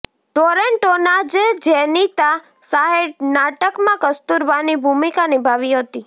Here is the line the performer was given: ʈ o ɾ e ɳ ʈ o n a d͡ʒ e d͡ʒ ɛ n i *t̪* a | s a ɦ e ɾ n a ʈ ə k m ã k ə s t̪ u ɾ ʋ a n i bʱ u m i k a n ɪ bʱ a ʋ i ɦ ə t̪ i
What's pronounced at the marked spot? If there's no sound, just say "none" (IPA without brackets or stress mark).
t̪